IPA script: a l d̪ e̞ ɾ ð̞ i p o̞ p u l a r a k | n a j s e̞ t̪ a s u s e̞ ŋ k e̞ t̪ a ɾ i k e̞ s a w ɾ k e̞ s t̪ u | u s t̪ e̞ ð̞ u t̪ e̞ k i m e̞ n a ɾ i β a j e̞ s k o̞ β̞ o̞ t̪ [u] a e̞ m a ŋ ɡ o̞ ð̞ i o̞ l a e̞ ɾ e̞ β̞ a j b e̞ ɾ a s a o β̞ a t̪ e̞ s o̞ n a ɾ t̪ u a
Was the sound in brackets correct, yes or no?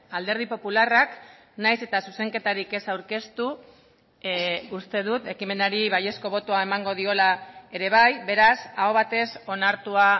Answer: no